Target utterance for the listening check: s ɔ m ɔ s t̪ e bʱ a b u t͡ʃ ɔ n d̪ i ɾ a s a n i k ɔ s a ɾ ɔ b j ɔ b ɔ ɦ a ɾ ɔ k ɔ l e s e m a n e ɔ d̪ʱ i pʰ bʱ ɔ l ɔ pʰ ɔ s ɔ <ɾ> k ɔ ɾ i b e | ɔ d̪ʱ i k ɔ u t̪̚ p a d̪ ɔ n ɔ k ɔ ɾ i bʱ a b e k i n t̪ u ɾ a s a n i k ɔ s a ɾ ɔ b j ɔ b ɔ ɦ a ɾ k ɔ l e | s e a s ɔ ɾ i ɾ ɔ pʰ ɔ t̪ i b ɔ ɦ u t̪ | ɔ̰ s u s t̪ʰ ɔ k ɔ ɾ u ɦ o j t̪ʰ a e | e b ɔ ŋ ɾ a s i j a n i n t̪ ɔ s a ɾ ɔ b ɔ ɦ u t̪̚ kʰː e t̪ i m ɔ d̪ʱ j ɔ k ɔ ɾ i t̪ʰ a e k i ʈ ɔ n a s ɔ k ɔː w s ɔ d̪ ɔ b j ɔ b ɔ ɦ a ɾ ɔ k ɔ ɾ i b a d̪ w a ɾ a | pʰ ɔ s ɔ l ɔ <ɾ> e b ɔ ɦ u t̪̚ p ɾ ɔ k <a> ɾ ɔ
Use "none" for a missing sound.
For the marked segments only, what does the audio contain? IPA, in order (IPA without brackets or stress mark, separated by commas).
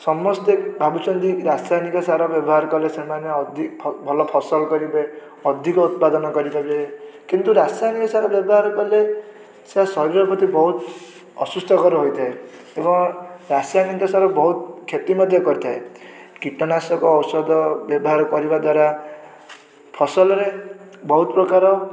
l, ɾ, a